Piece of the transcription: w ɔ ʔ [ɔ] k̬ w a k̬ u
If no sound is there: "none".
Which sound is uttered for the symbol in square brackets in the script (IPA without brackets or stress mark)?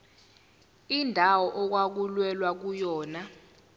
ɔ